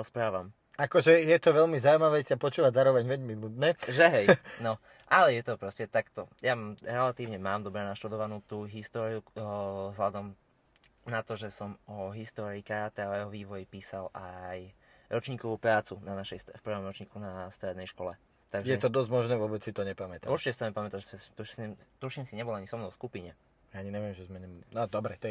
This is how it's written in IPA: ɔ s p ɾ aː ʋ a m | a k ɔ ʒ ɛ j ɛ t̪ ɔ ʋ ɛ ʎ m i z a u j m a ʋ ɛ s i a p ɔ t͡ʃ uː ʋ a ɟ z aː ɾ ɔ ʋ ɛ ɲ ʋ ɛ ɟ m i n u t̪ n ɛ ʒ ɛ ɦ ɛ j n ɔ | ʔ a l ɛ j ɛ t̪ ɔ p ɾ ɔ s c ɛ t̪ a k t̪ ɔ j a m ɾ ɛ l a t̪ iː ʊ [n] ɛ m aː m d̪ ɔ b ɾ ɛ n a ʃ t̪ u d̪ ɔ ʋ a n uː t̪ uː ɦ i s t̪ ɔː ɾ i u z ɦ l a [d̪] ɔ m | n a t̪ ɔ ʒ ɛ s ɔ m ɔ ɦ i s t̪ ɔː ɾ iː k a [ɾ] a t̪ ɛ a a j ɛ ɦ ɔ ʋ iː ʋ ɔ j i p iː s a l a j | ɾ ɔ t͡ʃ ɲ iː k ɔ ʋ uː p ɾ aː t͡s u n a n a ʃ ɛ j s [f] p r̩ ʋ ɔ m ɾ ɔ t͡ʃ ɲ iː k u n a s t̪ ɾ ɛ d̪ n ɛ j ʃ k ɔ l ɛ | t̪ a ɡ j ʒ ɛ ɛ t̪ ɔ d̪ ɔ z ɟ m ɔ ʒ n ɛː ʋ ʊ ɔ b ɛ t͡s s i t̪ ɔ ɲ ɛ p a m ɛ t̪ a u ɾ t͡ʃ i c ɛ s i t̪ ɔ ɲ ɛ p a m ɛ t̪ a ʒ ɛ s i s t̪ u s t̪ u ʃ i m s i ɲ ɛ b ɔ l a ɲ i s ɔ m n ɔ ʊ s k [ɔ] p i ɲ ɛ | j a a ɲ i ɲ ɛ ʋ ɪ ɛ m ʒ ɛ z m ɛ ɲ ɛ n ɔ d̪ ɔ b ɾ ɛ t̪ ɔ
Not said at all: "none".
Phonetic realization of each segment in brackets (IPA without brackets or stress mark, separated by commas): ɲ, d̪, ɾ, f, u